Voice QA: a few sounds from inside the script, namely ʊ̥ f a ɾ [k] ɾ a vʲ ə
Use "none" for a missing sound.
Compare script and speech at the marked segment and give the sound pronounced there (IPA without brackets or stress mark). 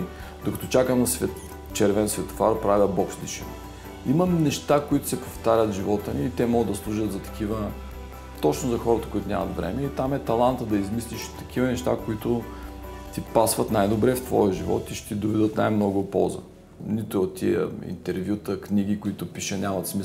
p